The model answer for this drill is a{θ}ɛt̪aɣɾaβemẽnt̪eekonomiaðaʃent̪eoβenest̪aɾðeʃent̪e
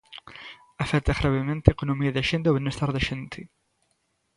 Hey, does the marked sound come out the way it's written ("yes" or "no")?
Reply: no